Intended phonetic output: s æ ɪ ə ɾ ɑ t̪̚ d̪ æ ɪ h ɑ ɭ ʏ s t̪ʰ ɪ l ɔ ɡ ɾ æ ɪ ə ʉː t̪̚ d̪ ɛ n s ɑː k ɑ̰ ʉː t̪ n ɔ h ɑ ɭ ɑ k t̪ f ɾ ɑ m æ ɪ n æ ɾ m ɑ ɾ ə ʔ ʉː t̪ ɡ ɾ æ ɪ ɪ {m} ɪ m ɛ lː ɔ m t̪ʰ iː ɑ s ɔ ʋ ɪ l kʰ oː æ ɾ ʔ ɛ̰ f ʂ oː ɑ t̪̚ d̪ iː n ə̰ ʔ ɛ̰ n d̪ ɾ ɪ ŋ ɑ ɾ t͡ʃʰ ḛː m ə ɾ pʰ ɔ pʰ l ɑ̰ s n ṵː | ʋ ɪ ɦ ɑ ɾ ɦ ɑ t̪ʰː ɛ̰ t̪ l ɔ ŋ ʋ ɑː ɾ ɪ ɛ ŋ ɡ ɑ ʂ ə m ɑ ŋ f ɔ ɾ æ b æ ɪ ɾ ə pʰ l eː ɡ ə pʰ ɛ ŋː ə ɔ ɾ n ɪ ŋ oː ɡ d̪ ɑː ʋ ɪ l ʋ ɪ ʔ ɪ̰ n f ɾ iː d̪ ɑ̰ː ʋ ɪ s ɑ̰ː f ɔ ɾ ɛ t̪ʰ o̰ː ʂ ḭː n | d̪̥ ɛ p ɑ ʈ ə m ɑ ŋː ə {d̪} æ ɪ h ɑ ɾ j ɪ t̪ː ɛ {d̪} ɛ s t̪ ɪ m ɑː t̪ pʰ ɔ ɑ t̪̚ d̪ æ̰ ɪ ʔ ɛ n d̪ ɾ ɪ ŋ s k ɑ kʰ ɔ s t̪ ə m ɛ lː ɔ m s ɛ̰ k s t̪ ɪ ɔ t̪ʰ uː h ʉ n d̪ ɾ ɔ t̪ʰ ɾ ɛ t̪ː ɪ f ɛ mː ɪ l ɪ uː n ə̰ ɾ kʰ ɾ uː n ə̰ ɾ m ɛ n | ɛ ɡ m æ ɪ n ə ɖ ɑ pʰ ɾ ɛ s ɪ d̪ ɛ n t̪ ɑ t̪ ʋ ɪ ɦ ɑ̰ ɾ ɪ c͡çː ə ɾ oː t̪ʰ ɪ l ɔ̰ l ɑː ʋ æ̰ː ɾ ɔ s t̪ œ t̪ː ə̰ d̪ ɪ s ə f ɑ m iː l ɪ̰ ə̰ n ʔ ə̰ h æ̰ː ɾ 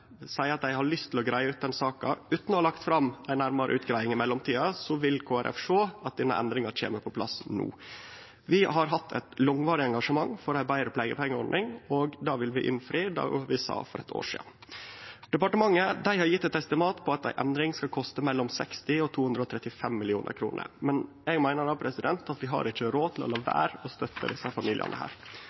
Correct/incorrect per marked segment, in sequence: incorrect: ŋ, correct, incorrect: t̪

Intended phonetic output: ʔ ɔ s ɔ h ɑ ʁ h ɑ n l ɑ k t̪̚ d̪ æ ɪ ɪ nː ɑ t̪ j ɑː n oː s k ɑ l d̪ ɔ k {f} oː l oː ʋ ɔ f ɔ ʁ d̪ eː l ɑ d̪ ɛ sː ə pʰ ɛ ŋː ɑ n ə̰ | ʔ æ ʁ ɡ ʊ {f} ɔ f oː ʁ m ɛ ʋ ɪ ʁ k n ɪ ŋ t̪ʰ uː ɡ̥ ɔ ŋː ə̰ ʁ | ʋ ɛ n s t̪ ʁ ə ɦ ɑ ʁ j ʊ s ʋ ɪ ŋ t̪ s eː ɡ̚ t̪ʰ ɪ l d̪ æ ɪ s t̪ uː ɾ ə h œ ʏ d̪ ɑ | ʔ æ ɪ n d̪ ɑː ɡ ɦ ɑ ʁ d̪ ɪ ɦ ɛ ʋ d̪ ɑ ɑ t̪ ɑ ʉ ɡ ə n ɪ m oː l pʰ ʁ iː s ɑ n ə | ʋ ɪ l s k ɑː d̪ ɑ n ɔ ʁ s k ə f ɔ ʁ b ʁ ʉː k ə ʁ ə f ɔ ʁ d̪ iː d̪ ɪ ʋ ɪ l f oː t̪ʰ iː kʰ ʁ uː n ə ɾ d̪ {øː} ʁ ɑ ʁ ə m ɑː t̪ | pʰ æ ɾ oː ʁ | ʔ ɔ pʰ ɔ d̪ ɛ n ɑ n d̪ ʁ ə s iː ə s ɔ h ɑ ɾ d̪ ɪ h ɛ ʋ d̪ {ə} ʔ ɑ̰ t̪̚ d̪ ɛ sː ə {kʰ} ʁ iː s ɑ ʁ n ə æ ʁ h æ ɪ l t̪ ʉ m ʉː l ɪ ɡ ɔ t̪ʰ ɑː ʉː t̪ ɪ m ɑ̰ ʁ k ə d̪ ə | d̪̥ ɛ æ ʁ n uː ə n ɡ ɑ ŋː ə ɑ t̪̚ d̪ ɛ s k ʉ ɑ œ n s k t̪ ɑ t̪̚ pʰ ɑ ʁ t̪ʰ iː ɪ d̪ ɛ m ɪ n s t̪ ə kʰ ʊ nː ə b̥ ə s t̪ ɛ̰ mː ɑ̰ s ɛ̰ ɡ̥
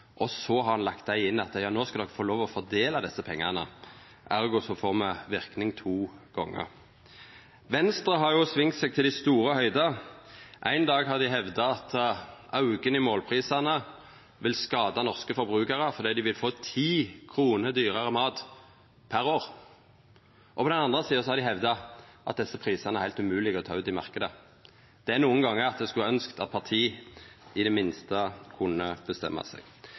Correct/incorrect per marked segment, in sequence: correct, incorrect: s, incorrect: yː, incorrect: ɑ, incorrect: pʰ

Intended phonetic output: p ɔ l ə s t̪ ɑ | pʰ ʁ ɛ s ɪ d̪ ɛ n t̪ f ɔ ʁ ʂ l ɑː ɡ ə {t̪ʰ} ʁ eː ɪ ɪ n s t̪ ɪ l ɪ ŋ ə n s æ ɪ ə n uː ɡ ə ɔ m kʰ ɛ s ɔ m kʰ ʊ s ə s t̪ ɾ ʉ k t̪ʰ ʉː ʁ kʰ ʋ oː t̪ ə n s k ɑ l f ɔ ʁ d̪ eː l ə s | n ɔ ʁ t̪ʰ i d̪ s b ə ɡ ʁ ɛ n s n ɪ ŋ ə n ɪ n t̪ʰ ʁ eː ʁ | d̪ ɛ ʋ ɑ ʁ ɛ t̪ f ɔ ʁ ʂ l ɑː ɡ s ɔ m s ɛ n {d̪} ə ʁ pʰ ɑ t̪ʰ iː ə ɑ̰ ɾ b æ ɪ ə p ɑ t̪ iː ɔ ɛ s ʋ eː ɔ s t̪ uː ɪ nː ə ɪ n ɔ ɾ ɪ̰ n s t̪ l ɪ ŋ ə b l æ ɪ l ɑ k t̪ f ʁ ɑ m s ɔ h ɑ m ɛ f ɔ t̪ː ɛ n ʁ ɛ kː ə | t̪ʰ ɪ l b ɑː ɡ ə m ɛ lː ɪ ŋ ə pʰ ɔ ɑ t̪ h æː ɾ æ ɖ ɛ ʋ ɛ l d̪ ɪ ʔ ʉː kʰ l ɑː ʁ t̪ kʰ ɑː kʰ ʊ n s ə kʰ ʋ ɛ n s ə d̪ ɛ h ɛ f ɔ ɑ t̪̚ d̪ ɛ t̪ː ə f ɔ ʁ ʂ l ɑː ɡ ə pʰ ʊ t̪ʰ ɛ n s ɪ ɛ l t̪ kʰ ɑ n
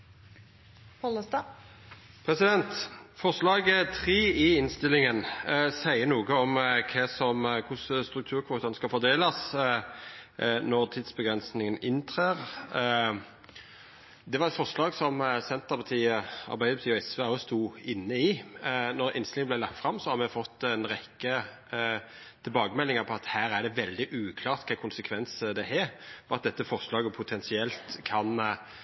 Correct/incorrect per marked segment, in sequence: correct, incorrect: t̪

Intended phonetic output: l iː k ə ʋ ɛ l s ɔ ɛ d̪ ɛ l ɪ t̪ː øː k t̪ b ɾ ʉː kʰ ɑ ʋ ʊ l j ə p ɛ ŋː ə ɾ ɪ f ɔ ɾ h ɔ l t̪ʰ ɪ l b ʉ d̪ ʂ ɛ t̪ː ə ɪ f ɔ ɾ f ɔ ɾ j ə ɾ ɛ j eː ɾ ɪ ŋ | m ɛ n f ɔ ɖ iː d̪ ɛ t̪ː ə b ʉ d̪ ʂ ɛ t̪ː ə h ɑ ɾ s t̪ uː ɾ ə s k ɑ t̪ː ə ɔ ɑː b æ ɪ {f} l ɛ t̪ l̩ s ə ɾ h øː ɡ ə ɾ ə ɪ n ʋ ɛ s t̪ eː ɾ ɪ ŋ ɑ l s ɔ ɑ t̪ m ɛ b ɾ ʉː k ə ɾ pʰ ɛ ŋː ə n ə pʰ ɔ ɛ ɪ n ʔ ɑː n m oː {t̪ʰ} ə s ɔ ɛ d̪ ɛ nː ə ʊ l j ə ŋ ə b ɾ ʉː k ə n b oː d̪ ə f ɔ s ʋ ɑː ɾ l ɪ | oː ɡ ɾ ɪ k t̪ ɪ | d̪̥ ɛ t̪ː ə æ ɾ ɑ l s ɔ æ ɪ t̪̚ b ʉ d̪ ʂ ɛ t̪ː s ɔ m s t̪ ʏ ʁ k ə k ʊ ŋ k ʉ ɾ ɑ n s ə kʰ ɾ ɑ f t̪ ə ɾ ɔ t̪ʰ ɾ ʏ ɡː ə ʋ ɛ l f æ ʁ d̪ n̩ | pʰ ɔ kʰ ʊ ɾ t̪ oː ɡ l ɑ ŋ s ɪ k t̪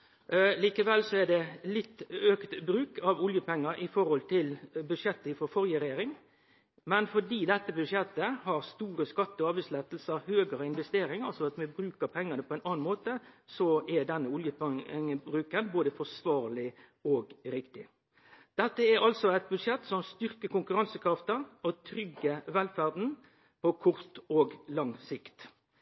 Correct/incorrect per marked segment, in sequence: incorrect: s, incorrect: t̪

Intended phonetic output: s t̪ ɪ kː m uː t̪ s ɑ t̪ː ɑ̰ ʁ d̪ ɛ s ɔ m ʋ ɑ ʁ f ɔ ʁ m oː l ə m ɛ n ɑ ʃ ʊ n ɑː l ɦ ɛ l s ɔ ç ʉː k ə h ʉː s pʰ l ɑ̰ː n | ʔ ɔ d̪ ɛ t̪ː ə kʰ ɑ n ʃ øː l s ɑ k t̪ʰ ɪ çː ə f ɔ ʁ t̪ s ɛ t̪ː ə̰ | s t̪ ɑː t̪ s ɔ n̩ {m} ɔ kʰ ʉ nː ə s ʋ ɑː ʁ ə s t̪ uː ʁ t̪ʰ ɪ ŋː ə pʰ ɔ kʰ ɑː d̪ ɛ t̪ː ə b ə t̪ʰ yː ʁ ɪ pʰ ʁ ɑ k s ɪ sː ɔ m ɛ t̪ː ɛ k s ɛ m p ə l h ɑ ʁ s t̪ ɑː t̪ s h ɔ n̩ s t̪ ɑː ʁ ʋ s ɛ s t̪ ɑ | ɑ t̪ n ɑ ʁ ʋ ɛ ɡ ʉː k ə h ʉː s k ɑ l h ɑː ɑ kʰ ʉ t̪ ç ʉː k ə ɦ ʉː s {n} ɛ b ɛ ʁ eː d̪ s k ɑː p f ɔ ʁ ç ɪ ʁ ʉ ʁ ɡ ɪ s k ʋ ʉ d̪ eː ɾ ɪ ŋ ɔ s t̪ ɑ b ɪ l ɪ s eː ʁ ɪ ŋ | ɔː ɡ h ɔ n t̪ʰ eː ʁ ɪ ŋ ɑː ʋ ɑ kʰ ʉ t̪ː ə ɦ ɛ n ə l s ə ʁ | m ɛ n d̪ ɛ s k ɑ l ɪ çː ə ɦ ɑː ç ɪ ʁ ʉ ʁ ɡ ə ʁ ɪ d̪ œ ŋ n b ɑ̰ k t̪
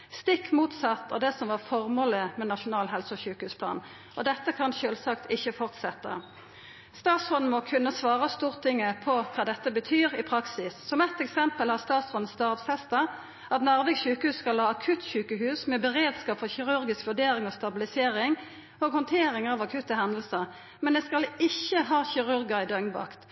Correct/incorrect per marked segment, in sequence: correct, incorrect: m

